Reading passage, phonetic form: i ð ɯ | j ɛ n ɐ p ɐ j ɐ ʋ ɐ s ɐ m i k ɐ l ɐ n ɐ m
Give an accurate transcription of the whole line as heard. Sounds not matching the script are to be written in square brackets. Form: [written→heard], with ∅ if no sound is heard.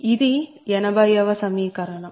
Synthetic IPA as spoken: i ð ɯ | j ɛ n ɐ [p→b] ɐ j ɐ ʋ ɐ s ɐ m i k ɐ [l→ɾ] ɐ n ɐ m